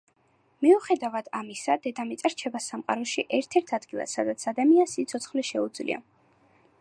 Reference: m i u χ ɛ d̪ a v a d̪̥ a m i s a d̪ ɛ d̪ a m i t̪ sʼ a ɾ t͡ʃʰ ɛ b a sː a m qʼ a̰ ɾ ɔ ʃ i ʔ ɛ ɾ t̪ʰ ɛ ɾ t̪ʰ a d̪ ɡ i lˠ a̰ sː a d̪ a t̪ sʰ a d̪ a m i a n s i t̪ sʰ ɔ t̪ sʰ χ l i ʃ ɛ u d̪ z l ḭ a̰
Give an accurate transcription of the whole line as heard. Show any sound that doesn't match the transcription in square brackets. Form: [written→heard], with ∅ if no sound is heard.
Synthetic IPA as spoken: m i u χ ɛ d̪ a v a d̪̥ a m i s a d̪ ɛ d̪ a m i t̪ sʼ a ɾ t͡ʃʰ ɛ b a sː a m qʼ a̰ ɾ ɔ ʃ i ʔ ɛ ɾ t̪ʰ ɛ ɾ t̪ʰ a d̪ ɡ i lˠ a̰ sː a d̪ a t̪ sʰ a d̪ a m i a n s i t̪ sʰ ɔ t̪ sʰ χ l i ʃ ɛ u d̪ z l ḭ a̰